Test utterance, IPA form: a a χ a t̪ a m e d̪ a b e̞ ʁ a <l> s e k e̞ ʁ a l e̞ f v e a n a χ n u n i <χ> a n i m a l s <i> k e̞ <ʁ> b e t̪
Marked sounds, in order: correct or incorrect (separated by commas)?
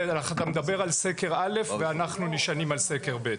correct, incorrect, incorrect, correct